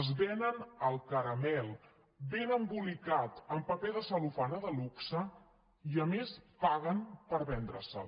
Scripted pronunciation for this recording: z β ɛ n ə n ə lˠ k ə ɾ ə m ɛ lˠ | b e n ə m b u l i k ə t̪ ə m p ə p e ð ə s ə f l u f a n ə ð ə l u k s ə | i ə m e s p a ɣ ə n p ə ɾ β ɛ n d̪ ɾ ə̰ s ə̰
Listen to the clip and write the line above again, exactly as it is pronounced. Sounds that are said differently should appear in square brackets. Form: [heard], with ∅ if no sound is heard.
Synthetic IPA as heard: z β ɛ n ə n ə lˠ k ə ɾ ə m ɛ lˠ | b e n ə m b u l i k [a] t̪ ə m p ə p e ð ə s ə [∅] l u f a n ə ð ə l u k s ə | i ə m e s p a ɣ ə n p ə ɾ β ɛ n d̪ ɾ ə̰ s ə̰